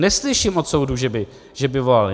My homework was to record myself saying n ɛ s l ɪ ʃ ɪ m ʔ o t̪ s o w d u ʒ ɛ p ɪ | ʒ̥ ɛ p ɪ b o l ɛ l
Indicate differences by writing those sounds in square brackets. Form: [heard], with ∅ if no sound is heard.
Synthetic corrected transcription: n ɛ s l ɪ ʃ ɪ m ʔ o t̪ s o w d u ʒ ɛ [b] ɪ | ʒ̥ ɛ [b] ɪ [v] o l [a] l